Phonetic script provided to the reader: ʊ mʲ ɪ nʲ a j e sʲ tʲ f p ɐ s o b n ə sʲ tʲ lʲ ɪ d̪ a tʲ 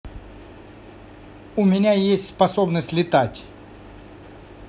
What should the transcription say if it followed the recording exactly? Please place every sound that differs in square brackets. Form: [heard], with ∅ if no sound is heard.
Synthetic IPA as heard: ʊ mʲ ɪ nʲ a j e sʲ tʲ [s] p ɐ s o b n ə sʲ tʲ lʲ ɪ [t̪] a tʲ